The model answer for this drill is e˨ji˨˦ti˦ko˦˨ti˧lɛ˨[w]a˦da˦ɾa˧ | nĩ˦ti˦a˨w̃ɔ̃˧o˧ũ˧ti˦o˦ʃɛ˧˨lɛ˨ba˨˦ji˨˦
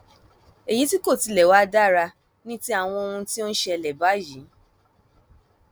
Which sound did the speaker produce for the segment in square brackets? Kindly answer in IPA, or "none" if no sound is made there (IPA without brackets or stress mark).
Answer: w